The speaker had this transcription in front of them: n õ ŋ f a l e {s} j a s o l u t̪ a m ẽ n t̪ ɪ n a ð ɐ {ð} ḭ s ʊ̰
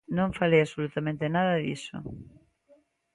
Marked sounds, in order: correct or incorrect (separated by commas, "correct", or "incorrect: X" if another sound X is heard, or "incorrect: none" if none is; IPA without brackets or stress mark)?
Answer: incorrect: none, correct